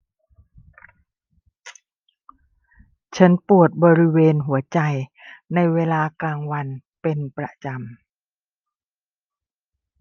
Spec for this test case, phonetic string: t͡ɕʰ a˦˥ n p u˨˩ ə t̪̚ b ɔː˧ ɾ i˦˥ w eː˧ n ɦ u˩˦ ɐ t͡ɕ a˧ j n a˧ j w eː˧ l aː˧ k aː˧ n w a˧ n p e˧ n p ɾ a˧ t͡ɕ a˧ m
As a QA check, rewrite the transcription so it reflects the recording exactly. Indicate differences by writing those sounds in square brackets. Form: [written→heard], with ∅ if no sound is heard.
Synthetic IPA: t͡ɕʰ a˦˥ n p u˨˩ ə t̪̚ b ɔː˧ ɾ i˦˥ w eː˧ n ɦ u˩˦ ɐ t͡ɕ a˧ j n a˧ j w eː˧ l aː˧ k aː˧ [n→ŋ] w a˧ n p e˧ n p ɾ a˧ t͡ɕ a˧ m